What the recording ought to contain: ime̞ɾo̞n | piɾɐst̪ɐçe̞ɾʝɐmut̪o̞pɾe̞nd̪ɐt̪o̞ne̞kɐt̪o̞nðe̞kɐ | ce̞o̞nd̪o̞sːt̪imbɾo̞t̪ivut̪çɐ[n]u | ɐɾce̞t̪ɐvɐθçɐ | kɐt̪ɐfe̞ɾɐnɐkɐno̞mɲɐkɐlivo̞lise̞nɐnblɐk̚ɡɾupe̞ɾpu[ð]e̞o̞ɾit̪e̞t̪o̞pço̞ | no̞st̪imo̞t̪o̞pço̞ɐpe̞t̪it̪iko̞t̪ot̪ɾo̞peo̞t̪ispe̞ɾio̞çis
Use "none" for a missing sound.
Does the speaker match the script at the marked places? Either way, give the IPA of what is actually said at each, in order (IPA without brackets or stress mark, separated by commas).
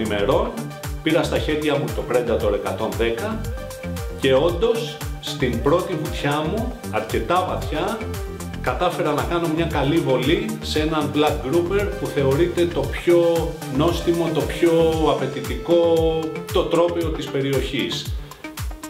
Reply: m, θ